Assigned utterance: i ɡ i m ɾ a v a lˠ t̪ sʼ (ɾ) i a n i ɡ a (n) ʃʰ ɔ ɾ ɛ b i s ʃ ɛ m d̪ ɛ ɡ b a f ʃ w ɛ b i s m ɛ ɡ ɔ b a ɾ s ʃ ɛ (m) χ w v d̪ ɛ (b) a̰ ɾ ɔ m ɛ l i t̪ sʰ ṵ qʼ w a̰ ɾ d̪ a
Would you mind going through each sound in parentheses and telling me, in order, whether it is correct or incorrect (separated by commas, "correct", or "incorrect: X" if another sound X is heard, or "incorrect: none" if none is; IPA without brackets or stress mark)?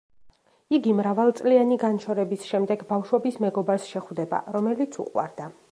incorrect: l, correct, incorrect: none, correct